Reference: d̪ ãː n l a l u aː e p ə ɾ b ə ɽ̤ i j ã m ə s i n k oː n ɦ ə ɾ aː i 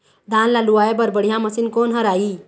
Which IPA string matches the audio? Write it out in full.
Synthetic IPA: d̪ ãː n l a l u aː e b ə ɾ b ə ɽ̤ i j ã m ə s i n k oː n ɦ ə ɾ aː i

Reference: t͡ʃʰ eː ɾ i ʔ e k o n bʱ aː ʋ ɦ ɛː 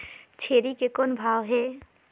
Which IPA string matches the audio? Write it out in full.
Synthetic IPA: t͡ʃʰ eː ɾ i k e k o n bʱ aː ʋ ɦ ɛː

